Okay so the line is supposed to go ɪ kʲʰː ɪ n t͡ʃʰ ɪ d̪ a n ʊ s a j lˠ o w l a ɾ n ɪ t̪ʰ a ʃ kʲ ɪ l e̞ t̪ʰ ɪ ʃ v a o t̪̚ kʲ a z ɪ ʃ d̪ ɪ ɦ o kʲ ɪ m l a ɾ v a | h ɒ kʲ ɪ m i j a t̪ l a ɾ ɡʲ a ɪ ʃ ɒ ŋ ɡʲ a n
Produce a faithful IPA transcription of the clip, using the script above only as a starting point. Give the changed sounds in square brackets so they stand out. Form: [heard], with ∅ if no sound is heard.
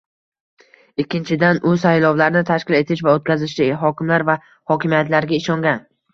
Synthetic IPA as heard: ɪ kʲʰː ɪ n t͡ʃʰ ɪ d̪ a n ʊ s a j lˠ [ɒ] w l a ɾ n ɪ t̪ʰ a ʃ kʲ ɪ l e̞ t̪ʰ ɪ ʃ v a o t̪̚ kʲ a z ɪ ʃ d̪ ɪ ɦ [ɒ] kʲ ɪ m l a ɾ v a | h ɒ kʲ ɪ m i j a t̪ l a ɾ ɡʲ a ɪ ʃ ɒ ŋ ɡʲ a n